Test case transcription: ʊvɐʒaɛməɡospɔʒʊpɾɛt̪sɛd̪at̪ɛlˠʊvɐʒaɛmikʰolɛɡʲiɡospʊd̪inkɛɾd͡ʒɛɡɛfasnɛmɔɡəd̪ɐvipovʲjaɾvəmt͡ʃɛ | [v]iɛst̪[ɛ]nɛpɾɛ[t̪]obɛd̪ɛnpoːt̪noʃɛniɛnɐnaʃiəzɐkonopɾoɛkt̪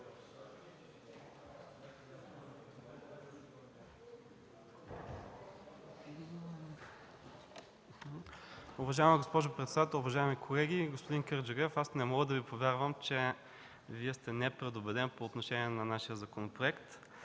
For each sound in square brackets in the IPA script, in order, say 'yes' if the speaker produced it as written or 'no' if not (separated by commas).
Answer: yes, yes, no